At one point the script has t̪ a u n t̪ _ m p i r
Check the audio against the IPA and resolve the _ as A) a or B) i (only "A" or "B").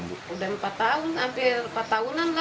A